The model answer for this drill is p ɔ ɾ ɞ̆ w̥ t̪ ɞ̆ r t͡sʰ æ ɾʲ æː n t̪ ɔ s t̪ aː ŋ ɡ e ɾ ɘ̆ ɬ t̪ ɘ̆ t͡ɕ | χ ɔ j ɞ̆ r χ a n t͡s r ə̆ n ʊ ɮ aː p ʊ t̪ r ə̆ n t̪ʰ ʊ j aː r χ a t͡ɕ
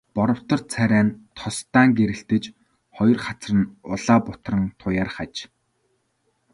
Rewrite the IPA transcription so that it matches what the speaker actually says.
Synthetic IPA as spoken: p ɔ ɾ ɞ̆ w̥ t̪ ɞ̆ r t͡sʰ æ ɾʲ æː n t̪ʰ ɔ s t̪ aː ŋ ɡ e ɾ ɘ̆ ɬ t̪ ɘ̆ t͡ɕ | χ ɔ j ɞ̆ r χ a t͡s r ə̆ n ʊ ɮ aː p ʊ t̪ r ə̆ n t̪ʰ ʊ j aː r χ a t͡ɕ

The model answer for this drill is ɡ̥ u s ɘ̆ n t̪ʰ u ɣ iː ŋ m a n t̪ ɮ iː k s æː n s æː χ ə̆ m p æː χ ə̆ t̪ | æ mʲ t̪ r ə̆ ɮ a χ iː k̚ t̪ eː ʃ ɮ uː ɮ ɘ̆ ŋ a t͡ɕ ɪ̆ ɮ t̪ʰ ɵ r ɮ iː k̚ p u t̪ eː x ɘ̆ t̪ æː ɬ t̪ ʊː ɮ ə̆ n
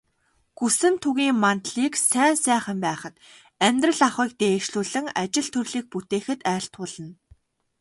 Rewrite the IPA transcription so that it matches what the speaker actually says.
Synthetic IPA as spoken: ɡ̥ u s ɘ̆ n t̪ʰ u ɣ iː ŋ m a n t̪ ɮ iː k s æː n s æː χ ə̆ m p æː χ ə̆ t̪ | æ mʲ t̪ r ə̆ ɮ a χ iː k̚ t̪ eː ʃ ɮ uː ɮ ɘ̆ ŋ a t͡ɕ ɪ̆ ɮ t̪ʰ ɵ r ɮ iː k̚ p u t̪ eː x ɘ̆ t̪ æː ɬ t̪ ʊː ɮ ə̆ n

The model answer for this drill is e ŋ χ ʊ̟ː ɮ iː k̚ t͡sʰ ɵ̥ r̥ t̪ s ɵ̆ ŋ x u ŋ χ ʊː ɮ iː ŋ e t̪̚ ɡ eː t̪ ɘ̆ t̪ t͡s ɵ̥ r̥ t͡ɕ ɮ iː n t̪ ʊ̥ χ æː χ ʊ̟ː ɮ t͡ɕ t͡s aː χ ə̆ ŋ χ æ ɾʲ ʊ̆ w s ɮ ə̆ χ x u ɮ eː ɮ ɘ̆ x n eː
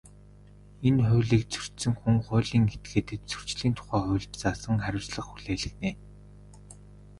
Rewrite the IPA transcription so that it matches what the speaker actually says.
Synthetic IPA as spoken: e n χ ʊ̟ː ɮ iː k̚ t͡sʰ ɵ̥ r̥ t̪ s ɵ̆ ŋ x u ŋ χ ʊː ɮ iː ŋ e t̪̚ ɡ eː t̪ ɘ̆ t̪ t͡s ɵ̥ r̥ t͡ɕ ɮ iː n t̪ʰ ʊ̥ χ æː χ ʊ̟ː ɮ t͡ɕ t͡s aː s ə̆ ŋ χ æ ɾʲ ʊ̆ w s ɮ ə̆ χ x u ɮ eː ɮ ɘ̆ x n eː

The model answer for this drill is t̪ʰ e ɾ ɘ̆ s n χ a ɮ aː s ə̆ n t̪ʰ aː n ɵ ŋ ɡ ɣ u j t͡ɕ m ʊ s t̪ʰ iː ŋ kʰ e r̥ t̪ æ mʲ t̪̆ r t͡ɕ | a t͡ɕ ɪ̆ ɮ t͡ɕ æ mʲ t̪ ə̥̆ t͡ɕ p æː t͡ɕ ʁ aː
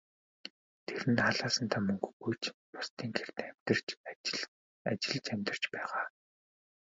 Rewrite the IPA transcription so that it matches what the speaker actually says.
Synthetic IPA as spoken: t̪ʰ e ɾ ɘ̆ n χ a ɮ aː s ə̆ n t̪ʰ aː m ɵ ŋ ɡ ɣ u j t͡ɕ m ʊ s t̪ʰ iː ŋ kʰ e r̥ t̪ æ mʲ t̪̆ r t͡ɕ | a t͡ɕ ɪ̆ ɮ t͡ɕ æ mʲ t̪ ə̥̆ t͡ɕ p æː ʁ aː

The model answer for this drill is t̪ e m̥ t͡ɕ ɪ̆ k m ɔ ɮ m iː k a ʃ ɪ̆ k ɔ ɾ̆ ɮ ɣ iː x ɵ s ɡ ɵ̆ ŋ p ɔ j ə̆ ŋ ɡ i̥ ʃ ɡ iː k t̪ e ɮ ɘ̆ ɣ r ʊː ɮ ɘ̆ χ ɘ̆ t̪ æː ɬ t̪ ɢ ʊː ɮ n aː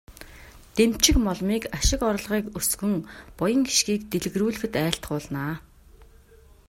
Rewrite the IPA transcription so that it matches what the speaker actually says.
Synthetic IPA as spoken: t̪ e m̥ t͡ɕ ɪ̆ k m ɔ ɮ m iː k a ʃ ɪ̆ k ɔ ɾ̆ ɮ ʁ iː k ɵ s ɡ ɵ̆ ŋ p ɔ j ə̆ ŋ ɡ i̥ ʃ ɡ iː k t̪ e ɮ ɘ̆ ɣ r uː ɮ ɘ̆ x ɘ̆ t̪ æː ɬ t̪ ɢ ʊː ɮ n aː

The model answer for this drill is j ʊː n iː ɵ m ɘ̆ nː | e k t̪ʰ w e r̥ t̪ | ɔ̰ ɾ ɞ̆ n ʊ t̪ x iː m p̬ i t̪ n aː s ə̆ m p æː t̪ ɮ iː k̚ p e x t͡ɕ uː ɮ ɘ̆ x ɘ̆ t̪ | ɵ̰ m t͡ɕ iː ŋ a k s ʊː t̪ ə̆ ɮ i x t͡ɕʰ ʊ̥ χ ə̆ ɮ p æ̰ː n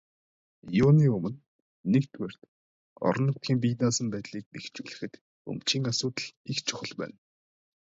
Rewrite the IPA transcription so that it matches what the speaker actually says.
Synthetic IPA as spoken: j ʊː n iː ɵ m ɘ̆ nː | e k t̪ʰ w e r̥ t̪ | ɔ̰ ɾ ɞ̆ n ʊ t̪ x iː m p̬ i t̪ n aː s ə̆ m p æː t̪ ɮ iː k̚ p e x t͡ɕ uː ɮ ɘ̆ x ɘ̆ t̪ | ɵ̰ m t͡ɕ iː ŋ a s ʊː t̪ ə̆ ɮ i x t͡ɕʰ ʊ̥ χ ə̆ ɮ p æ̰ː n

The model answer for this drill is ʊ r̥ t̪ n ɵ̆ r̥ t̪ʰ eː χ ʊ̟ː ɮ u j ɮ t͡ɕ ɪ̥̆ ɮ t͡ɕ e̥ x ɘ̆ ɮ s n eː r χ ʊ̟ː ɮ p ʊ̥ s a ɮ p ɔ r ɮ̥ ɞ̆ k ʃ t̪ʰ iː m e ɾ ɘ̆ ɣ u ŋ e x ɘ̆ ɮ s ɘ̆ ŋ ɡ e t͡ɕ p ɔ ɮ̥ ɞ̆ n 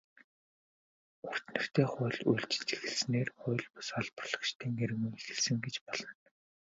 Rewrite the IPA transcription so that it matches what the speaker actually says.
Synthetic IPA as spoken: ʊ r̥ t̪ n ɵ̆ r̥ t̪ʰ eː χ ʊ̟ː ɮ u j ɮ t͡ɕ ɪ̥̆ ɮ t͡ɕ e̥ x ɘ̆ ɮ s n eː r χ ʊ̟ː ɮ p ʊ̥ s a ɮ p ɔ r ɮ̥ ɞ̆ k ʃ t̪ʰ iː ŋ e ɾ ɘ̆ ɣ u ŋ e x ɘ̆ ɮ s ɘ̆ ŋ ɡ e t͡ɕ p ɔ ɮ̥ ɞ̆ n

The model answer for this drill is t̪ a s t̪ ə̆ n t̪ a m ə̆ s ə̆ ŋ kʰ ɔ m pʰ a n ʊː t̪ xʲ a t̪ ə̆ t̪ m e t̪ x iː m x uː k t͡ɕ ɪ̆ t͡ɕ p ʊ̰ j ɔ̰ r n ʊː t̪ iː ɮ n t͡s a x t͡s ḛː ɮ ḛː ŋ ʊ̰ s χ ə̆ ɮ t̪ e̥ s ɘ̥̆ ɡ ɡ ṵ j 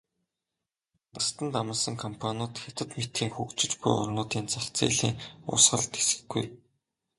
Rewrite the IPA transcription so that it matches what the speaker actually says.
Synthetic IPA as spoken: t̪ a s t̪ ə̆ n t̪ a m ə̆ s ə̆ ŋ kʰ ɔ m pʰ a n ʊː t̪ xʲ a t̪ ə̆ t̪ m e t̪ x iː ŋ x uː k t͡ɕ ɪ̆ t͡ɕ p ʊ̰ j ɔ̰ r n ʊː t̪ iː n t͡s a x t͡s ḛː ɮ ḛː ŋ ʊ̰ s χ ə̆ ɮ t̪ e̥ s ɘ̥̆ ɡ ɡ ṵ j

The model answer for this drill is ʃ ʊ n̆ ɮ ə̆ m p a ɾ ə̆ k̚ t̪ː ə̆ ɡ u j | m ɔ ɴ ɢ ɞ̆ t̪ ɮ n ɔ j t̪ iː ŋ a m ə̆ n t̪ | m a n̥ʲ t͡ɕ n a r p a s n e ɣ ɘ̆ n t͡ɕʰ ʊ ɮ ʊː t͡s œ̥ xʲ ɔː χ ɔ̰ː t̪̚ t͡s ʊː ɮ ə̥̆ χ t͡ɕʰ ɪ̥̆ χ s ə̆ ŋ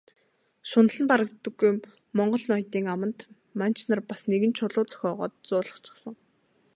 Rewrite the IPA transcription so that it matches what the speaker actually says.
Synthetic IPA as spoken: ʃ ʊ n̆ ɮ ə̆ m p a ɾ ə̆ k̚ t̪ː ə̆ ɡ u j | m ɔ ɴ ɢ ɞ̆ ɮ n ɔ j t̪ iː ŋ a m ə̆ n t̪ | m a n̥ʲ t͡ɕ n a r p a s n e ɣ ɘ̆ n t͡ɕʰ ʊ ɮ ʊː t͡s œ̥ xʲ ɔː ʁ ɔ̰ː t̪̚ t͡s ʊː ɮ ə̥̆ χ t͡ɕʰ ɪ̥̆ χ s ə̆ ŋ

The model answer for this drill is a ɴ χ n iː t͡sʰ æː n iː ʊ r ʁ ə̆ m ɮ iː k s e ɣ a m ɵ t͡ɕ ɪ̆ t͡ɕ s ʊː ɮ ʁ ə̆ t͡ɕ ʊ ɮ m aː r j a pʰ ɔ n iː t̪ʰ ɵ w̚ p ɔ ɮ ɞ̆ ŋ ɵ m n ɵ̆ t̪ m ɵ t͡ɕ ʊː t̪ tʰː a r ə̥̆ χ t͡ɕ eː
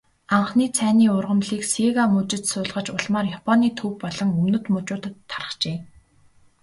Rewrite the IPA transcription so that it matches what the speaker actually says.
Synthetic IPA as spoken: a ɴ χ n iː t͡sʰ æː n iː ʊ r ʁ ə̆ m ɮ iː k s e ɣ a m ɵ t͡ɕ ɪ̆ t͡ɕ s ʊː ɮ ʁ ə̆ t͡ɕ ʊ ɮ m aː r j a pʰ ɔ n iː t̪ʰ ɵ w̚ p ɔ ɮ ɞ̆ ŋ ɵ m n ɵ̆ t̪ m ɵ t͡ɕ ʊː t̪ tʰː a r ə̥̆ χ t͡ɕ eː

